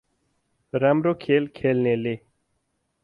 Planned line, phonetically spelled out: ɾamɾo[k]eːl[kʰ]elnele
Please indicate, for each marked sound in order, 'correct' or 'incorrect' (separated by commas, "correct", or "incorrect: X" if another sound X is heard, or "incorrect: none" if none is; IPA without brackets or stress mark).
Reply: incorrect: kʰ, correct